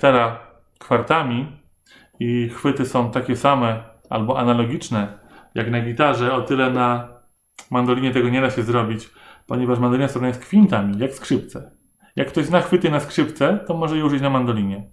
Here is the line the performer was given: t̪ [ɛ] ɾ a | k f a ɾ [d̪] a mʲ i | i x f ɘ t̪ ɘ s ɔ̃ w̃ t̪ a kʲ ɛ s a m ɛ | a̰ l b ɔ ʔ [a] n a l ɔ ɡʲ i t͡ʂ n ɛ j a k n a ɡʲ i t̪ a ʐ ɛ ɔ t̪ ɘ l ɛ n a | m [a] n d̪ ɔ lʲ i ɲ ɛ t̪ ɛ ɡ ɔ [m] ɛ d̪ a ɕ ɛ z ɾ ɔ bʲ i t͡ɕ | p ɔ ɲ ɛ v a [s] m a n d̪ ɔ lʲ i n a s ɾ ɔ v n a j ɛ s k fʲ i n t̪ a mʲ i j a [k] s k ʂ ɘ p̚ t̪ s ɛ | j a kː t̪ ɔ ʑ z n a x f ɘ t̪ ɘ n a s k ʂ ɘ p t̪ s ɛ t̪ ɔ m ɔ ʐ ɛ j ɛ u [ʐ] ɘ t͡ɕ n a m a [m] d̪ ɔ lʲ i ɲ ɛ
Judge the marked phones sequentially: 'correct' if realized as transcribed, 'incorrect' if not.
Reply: correct, incorrect: t̪, correct, correct, incorrect: ɲ, incorrect: ʂ, correct, correct, incorrect: n

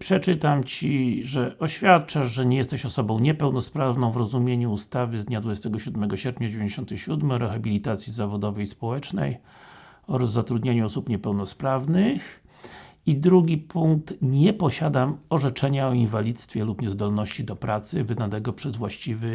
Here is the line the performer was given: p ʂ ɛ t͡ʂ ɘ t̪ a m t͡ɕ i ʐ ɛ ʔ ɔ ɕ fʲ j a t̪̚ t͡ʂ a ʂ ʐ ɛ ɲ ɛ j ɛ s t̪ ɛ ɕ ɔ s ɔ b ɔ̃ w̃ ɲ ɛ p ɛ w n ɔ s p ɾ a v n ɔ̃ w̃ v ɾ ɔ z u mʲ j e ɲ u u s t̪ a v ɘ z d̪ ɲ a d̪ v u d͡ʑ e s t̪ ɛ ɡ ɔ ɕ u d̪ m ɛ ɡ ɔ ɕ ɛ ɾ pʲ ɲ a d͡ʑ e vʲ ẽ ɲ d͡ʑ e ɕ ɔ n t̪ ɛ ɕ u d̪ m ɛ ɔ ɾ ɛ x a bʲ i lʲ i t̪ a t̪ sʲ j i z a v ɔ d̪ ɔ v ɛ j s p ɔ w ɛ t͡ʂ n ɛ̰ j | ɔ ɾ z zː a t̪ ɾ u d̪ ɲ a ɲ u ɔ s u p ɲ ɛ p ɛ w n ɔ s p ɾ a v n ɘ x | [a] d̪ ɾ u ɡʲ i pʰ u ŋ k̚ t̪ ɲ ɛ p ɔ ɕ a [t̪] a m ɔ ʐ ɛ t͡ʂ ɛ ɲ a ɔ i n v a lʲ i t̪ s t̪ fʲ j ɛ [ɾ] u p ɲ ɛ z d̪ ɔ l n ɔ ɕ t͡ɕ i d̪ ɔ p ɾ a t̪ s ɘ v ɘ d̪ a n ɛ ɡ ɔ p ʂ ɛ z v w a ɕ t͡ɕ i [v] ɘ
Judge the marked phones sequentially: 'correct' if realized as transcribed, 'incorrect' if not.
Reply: incorrect: i, incorrect: d̪, incorrect: l, correct

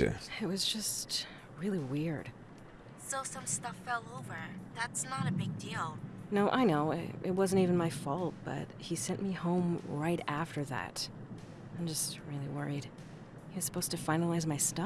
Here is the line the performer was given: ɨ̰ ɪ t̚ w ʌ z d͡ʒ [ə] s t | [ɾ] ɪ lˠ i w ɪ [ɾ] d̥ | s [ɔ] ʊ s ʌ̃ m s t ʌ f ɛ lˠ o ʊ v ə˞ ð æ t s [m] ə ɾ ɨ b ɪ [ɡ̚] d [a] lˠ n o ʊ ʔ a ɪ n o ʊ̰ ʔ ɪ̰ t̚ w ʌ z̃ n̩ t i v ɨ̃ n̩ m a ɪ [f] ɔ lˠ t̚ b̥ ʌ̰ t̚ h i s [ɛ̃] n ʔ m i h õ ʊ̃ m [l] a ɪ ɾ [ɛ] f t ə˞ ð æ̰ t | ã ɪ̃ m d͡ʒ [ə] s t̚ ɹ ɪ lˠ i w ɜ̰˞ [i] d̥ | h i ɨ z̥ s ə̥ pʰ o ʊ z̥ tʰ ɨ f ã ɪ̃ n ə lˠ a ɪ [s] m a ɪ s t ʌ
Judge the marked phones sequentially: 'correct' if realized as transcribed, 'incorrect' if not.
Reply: incorrect: ʌ, incorrect: ɹ, incorrect: ɹ, incorrect: o, incorrect: n, correct, incorrect: i, correct, correct, incorrect: ɹ, incorrect: æ, incorrect: ʌ, correct, incorrect: z

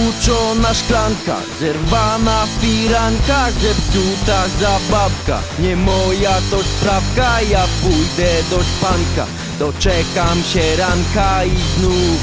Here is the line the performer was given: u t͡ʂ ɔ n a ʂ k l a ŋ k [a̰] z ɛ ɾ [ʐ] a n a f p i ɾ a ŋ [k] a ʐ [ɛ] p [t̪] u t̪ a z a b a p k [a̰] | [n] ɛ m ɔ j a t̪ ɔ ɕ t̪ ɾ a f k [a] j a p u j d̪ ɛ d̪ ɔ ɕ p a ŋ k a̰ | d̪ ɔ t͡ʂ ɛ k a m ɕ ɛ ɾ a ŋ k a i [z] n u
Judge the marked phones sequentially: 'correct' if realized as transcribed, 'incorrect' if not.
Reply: correct, incorrect: v, correct, correct, correct, correct, incorrect: ɲ, correct, correct

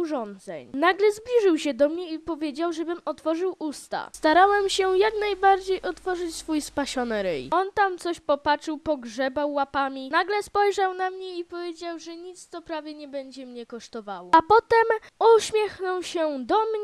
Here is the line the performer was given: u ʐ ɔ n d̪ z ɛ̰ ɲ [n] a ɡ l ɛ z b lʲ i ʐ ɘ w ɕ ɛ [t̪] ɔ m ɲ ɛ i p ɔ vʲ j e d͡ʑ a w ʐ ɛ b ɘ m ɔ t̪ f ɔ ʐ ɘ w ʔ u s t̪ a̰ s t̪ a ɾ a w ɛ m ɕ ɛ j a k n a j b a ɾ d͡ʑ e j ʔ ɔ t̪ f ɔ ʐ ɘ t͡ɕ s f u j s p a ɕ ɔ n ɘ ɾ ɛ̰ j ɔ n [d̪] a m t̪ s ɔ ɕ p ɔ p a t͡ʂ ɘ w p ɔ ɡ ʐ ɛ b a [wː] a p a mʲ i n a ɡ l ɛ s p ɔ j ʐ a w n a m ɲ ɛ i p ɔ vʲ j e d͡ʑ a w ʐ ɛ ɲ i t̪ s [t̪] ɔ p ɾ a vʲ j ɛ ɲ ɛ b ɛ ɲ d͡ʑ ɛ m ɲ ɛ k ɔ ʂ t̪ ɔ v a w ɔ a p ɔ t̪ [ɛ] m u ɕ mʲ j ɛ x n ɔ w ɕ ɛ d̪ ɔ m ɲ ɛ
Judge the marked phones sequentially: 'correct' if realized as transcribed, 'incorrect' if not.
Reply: correct, incorrect: d̪, incorrect: t̪, correct, correct, correct

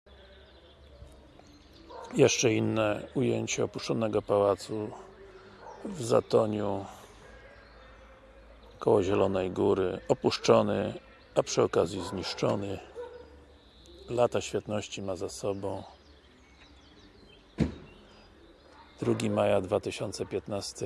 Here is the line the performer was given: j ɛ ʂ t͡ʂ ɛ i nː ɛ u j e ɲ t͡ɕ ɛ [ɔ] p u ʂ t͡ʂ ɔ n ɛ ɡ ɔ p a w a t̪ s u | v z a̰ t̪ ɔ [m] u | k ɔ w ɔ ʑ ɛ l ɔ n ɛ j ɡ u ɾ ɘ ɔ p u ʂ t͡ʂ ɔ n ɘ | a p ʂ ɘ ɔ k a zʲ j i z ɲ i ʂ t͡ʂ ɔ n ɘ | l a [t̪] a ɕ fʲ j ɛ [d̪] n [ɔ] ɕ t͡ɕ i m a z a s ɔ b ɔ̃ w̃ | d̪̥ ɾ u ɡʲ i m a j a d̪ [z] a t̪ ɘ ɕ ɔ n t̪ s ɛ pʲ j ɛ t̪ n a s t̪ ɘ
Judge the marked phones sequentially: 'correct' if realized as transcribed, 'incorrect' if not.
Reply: correct, incorrect: ɲ, correct, incorrect: t̪, correct, incorrect: v

